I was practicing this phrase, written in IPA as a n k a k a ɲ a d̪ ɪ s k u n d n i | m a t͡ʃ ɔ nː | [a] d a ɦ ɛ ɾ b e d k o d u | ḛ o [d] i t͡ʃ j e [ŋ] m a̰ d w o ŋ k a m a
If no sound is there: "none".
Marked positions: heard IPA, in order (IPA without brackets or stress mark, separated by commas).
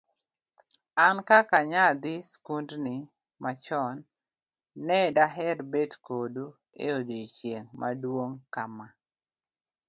ɛ, d, ŋ